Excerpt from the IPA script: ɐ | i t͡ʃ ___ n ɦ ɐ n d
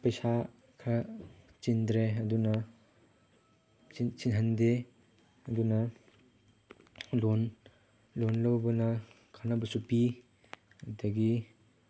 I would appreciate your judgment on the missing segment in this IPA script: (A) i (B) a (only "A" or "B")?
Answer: A